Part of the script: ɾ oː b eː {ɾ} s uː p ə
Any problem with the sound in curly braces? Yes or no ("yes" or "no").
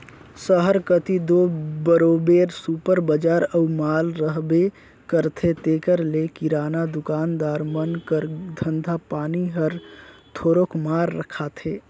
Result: no